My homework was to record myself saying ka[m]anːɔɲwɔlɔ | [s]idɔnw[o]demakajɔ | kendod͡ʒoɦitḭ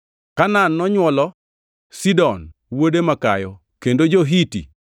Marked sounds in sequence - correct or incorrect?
incorrect: n, correct, correct

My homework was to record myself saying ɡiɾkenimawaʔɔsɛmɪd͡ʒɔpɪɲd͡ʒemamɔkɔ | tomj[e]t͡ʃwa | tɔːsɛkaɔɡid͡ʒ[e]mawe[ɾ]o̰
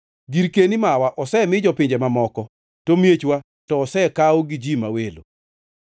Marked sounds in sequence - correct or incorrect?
correct, incorrect: i, incorrect: l

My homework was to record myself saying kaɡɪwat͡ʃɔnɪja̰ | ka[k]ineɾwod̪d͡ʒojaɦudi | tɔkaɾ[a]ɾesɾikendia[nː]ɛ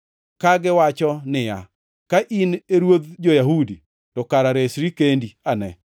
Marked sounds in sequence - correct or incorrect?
incorrect: ʔ, correct, incorrect: n

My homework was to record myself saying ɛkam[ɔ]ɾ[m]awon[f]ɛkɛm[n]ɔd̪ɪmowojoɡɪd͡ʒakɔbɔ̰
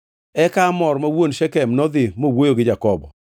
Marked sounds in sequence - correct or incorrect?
correct, correct, incorrect: ʃ, correct

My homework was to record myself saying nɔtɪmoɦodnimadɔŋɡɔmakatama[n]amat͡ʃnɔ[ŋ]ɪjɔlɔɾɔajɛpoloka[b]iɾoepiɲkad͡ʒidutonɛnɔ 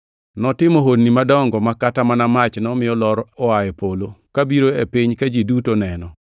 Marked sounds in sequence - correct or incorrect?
correct, incorrect: m, correct

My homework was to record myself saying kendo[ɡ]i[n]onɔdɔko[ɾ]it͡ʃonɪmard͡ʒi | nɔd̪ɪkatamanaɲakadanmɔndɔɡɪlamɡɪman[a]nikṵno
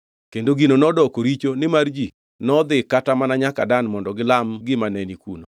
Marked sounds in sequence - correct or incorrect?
correct, correct, correct, incorrect: ɛ

